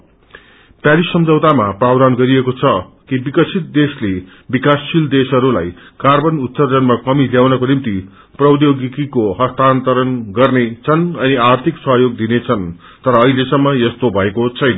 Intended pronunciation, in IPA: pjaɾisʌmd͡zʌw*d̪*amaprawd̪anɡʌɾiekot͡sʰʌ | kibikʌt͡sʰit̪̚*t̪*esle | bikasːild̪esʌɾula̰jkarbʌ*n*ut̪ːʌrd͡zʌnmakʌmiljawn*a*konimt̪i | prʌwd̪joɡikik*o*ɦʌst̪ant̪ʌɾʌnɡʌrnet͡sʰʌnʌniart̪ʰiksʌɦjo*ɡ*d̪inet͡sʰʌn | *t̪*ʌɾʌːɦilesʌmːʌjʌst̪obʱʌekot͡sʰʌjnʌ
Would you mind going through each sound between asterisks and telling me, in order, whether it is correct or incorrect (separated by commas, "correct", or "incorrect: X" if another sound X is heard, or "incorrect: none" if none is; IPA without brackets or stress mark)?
incorrect: t̪, incorrect: d̪, correct, incorrect: ʌ, correct, correct, correct